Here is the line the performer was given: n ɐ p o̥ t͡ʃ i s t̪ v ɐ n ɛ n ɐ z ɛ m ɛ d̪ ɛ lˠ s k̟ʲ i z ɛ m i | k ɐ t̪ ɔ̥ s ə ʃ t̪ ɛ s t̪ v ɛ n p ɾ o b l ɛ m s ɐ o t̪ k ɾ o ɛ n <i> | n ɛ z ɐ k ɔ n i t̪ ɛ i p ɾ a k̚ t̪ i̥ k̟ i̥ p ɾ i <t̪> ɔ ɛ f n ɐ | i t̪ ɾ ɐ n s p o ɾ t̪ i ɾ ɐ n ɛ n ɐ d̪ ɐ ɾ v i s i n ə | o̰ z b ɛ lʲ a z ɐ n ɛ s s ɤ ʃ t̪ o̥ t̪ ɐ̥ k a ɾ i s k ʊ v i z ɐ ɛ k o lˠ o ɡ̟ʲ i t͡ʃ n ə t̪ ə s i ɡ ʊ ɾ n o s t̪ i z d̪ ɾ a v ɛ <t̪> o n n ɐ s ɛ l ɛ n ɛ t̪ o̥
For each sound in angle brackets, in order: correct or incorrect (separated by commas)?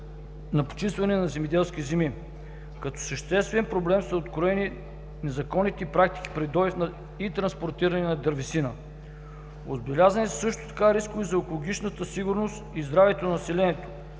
correct, incorrect, correct